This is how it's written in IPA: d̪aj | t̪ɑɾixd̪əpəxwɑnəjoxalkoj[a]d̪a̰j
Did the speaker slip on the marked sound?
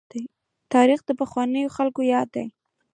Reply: yes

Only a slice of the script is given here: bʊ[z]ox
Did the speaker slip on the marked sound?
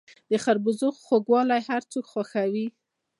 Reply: no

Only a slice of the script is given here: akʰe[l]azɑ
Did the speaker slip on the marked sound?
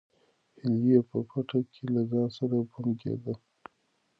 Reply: no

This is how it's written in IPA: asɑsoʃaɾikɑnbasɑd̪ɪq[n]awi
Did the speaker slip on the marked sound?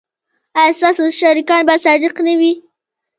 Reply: no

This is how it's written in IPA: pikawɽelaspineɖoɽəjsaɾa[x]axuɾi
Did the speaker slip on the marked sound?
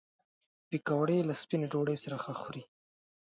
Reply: no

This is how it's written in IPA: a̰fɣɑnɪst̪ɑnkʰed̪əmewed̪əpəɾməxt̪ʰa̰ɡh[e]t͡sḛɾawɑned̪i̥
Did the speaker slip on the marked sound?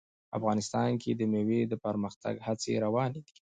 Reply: yes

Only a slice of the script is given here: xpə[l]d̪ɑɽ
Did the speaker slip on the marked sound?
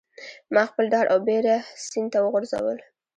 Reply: no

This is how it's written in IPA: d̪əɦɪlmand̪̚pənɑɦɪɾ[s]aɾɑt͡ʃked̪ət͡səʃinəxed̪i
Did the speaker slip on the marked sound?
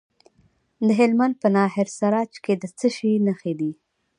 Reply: no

